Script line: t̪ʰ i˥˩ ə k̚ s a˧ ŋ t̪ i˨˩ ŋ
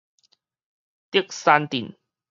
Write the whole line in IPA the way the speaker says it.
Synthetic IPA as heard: t̪ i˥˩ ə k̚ s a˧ n t̪ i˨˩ n